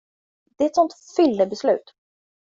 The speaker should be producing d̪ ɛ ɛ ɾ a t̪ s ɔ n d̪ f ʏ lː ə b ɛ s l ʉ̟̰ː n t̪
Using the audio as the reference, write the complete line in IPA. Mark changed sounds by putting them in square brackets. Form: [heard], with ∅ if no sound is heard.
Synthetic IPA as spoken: d̪ ɛ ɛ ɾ [ɛ] t̪ s ɔ n [t̪] f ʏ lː ə b ɛ s l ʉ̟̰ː [∅] t̪